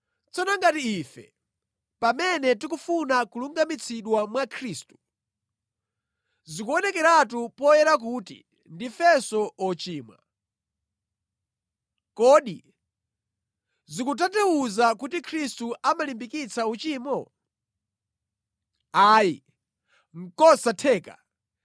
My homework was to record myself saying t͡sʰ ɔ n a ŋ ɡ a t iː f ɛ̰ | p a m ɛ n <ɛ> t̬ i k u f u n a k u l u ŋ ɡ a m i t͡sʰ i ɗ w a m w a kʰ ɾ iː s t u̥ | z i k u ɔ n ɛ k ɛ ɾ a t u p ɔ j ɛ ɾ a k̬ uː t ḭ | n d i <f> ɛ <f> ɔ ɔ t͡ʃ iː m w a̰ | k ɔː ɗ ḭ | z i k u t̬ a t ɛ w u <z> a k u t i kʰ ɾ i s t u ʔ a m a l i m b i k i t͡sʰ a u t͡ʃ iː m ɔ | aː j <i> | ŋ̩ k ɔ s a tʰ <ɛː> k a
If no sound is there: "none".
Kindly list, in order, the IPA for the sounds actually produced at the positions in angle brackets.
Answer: ɛ, f, s, z, i, ɛː

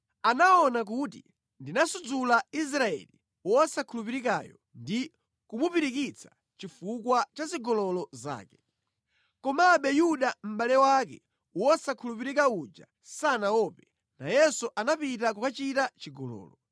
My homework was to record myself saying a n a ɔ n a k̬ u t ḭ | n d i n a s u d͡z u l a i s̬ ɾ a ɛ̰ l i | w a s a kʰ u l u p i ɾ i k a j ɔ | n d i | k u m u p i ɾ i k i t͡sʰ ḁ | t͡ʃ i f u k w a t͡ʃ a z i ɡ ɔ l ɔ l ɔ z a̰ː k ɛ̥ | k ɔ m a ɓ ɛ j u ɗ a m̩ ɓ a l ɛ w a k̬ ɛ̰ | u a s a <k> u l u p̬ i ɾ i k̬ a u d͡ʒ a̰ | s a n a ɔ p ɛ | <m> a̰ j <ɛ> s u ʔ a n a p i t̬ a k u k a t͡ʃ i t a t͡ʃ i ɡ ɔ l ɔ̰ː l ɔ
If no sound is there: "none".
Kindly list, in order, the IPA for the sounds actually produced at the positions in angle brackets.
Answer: kʰ, n, ɛ

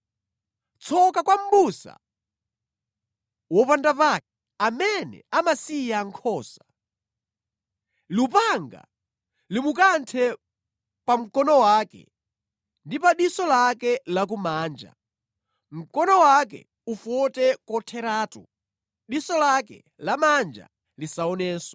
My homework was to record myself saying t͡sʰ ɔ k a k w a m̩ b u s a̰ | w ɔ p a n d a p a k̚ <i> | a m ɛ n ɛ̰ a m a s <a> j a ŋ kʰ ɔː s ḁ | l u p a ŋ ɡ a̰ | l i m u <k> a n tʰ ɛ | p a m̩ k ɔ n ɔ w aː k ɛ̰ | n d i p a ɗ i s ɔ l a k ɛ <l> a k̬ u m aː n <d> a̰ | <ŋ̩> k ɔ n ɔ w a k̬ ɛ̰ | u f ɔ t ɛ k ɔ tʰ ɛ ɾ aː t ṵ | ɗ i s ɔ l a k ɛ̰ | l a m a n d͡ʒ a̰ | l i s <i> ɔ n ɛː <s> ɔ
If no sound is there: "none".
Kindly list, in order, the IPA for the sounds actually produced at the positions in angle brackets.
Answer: ɛ, i, k, l, d͡ʒ, m̩, a, s

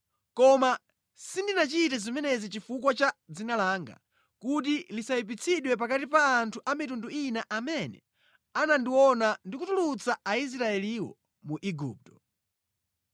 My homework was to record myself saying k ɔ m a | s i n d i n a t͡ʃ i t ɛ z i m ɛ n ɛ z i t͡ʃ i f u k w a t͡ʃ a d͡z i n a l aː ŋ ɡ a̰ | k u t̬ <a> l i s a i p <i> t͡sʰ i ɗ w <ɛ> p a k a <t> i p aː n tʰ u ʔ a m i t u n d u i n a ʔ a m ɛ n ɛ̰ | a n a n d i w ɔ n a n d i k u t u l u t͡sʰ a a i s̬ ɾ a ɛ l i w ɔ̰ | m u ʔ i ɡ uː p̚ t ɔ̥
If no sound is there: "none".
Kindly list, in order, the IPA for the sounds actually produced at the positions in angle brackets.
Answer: i, i, ɛ, t

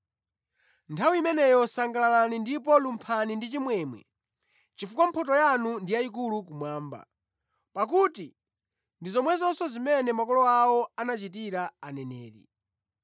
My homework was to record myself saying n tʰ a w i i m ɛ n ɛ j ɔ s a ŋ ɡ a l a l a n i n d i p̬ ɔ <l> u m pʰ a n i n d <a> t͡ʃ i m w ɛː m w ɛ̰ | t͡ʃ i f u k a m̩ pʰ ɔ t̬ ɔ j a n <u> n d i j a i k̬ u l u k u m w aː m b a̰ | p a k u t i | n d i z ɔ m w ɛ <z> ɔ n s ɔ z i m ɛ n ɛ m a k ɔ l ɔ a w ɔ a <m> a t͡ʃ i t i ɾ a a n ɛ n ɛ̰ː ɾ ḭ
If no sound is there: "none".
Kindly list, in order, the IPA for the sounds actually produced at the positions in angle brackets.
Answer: l, i, u, z, n

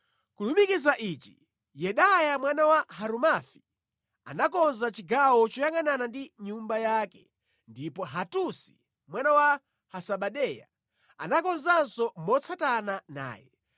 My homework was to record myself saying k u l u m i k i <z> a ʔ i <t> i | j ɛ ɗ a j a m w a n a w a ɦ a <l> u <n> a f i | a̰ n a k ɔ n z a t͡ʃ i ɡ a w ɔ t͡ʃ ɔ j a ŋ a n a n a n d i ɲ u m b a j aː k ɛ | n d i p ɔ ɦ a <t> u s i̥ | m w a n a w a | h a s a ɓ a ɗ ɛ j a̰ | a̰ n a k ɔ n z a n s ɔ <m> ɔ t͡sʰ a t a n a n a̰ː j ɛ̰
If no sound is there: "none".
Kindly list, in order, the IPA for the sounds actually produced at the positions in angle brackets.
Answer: z, t͡ʃ, ɾ, m, t, m

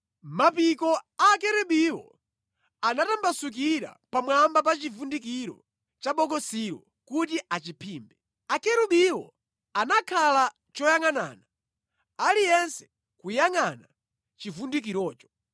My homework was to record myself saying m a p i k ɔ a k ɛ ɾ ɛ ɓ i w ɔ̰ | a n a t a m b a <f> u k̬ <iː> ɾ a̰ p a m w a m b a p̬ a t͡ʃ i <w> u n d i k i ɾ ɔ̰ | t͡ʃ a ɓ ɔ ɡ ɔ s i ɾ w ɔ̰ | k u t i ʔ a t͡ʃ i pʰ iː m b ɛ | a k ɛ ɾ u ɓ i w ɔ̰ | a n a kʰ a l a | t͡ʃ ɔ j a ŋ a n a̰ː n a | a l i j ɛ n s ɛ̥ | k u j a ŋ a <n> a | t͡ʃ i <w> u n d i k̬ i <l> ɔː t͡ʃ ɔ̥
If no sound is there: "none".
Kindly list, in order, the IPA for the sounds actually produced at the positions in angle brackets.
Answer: s, i, v, n, v, ɾ

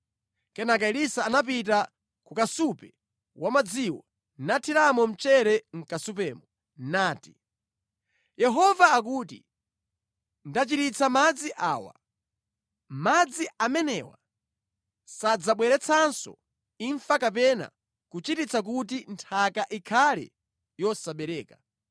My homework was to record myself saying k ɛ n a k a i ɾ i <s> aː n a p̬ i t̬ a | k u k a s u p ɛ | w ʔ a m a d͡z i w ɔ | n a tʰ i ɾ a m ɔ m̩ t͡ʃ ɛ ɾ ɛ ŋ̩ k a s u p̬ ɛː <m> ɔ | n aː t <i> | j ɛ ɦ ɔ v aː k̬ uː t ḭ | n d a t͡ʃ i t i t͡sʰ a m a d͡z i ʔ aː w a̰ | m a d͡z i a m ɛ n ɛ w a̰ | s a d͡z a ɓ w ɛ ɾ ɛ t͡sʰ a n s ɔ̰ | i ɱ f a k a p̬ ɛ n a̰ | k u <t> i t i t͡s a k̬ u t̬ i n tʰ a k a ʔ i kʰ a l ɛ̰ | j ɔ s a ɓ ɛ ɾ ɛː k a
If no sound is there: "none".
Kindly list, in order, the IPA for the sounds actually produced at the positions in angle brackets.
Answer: s, m, i, t͡ʃ

